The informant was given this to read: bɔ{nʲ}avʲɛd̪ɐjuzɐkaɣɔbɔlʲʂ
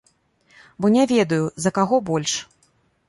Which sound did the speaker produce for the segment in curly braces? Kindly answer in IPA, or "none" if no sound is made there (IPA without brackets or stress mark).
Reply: nʲ